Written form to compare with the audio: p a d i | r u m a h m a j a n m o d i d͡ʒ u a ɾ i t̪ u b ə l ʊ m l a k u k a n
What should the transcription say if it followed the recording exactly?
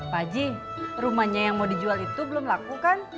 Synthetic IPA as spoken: p a d͡ʒ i | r u m a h ɲ a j a ŋ m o d i d͡ʒ u a l i t̪ u b ə l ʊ m l a k u k a n